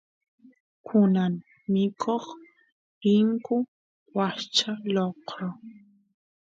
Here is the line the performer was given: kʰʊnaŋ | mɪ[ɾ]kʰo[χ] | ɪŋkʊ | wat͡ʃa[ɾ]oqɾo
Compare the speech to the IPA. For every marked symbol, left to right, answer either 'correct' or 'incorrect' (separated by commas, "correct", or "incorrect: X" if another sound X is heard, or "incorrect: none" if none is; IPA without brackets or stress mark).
incorrect: none, correct, incorrect: l